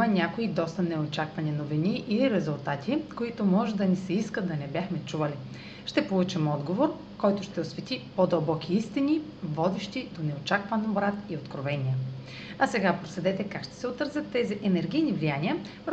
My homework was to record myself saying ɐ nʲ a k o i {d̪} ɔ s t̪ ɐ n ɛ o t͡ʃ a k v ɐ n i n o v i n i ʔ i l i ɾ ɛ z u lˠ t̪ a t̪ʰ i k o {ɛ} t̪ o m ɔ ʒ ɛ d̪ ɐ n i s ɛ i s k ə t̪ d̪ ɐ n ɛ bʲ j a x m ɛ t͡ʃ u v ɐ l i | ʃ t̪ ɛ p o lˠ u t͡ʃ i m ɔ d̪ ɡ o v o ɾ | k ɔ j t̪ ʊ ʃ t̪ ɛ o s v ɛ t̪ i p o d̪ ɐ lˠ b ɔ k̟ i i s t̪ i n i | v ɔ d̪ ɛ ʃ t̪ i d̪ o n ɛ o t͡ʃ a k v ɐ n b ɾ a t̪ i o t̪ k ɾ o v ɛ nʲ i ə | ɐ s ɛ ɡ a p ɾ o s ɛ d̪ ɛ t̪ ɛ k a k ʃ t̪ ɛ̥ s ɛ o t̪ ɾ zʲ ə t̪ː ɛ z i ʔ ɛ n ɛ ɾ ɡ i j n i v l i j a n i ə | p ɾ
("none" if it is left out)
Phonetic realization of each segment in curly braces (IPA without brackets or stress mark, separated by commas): d̪, i